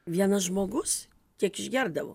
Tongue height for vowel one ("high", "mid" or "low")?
high